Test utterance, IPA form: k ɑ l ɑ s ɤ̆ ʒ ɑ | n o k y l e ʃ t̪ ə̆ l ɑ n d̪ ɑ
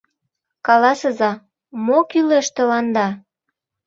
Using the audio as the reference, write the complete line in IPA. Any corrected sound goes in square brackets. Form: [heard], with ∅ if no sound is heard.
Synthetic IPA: k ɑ l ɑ s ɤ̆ [z] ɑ | [m] o k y l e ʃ t̪ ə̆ l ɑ n d̪ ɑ